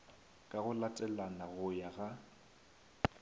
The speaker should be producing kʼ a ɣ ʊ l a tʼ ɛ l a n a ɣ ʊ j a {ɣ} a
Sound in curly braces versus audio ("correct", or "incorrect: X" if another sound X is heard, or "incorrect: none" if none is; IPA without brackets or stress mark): correct